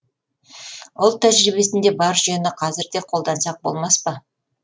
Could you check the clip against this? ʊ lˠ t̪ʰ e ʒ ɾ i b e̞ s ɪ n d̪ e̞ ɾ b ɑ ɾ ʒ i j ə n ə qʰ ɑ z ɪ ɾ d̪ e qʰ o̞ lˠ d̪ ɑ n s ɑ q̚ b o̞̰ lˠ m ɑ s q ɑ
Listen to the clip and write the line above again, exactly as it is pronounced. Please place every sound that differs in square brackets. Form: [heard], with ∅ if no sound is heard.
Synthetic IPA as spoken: ʊ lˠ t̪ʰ [æ] ʒ ɾ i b e̞ s ɪ n d̪ e̞ [∅] b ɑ ɾ ʒ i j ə n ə qʰ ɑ z ɪ ɾ d̪ e qʰ o̞ lˠ d̪ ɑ n s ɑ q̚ b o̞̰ lˠ m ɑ s [p] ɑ